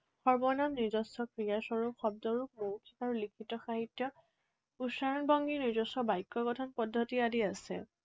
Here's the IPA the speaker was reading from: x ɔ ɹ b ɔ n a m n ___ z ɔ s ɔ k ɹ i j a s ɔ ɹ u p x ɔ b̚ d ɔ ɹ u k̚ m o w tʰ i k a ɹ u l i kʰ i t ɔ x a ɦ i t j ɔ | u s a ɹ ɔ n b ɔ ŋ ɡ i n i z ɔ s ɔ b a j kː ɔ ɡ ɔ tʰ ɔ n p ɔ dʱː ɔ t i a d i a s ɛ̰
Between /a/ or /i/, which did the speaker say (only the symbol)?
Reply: i